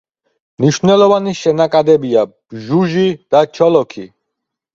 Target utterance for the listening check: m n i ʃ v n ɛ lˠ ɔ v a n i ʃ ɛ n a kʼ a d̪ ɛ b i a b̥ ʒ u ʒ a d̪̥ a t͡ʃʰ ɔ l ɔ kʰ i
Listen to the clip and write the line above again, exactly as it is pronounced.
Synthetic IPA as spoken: m n i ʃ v n ɛ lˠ ɔ v a n i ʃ ɛ n a kʼ a d̪ ɛ b i a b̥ ʒ u ʒ i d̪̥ a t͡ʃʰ ɔ l ɔ kʰ i